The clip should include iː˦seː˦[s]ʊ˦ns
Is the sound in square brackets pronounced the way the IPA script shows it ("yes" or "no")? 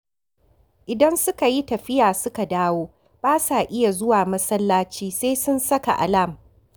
yes